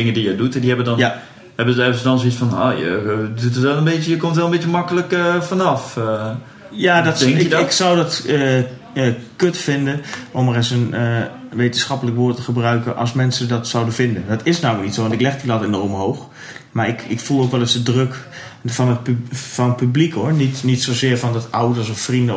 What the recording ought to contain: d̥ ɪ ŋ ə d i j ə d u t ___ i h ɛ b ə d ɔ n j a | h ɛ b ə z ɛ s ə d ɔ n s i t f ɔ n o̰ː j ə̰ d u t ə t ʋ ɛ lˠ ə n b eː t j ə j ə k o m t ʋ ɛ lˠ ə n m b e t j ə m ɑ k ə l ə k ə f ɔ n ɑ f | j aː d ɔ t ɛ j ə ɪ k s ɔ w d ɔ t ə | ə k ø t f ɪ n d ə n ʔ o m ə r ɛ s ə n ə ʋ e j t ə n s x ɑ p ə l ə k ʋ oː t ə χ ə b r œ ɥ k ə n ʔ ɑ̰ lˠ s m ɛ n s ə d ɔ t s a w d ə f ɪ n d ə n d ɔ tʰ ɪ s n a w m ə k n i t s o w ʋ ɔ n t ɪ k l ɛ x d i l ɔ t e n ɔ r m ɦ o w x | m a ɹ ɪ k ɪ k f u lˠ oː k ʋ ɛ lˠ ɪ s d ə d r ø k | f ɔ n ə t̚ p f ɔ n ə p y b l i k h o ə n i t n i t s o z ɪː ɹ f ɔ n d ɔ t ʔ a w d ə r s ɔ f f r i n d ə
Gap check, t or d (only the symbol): d